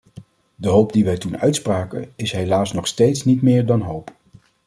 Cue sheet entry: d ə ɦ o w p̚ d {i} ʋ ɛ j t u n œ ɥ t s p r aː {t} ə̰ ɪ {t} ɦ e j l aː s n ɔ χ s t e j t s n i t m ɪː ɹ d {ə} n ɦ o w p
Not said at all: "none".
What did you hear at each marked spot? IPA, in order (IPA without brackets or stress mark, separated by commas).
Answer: i, k, s, ɑ